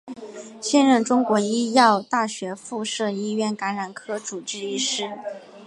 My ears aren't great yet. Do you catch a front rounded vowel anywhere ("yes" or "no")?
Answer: no